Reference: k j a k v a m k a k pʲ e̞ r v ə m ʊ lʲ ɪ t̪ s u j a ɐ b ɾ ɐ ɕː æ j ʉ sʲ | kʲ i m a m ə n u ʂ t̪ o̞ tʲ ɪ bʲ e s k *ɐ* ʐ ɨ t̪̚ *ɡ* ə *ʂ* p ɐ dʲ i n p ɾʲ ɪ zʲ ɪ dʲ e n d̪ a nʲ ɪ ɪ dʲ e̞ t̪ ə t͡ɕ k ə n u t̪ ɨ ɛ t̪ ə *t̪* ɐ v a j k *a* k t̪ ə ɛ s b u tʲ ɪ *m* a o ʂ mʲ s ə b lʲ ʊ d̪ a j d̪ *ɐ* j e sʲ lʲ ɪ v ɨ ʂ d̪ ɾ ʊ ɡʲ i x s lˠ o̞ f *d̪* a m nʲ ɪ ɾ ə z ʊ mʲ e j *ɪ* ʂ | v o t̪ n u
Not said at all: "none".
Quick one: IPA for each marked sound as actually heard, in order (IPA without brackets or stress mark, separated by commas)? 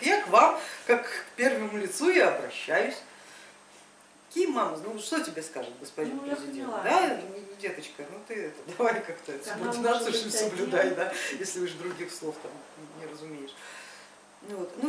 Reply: a, ɡ, s, d̪, a, n, a, t̪, ɪ